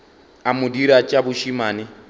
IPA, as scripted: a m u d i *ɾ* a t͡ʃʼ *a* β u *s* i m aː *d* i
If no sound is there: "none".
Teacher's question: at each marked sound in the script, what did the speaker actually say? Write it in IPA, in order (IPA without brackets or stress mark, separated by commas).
ɾ, a, ʃ, n